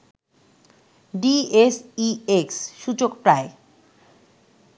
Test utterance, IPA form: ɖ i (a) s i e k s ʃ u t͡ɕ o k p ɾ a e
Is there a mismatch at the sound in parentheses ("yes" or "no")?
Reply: yes